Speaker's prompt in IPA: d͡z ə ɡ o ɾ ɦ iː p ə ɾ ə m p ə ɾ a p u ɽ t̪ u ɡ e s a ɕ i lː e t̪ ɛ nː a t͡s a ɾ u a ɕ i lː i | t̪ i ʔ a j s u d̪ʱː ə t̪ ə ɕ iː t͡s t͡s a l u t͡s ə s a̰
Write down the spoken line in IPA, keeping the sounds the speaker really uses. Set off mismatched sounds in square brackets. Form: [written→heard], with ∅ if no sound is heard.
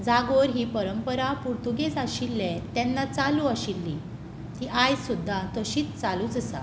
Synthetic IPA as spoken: d͡z [ə→a] ɡ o ɾ ɦ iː p ə ɾ ə m p ə ɾ a p u [ɽ→ɾ] t̪ u ɡ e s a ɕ i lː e t̪ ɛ nː a t͡s a [ɾ→l] u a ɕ i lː i | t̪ i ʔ a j s u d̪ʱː [ə→a] t̪ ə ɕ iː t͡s t͡s a l u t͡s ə s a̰